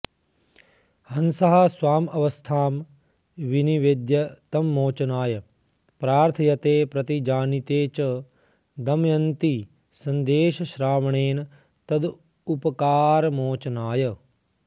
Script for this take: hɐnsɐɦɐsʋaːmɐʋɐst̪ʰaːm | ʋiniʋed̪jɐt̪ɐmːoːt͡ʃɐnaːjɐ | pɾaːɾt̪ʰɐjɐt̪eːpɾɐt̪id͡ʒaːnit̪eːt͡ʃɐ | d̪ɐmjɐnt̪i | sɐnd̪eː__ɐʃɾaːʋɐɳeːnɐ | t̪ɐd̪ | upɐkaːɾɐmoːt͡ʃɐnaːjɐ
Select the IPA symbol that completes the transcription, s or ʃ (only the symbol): ʃ